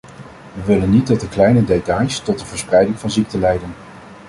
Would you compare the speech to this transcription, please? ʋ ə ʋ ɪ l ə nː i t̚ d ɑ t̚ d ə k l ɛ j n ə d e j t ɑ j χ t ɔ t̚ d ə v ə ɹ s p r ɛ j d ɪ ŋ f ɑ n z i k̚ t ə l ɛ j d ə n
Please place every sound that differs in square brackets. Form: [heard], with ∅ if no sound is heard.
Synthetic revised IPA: ʋ ə ʋ ɪ l ə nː i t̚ d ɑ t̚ d ə k l ɛ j n ə d e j t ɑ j [s] t ɔ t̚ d ə v ə ɹ s p r ɛ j d ɪ ŋ [v] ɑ n z i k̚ t ə l ɛ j d ə n